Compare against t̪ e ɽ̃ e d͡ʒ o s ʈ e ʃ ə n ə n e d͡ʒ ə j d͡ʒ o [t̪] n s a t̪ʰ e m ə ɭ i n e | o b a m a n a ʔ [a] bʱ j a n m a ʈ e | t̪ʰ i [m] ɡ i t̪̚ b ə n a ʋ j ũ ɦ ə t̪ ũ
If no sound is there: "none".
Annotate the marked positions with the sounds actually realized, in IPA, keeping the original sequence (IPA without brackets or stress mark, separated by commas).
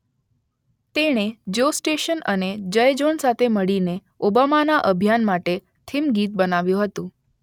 none, ə, m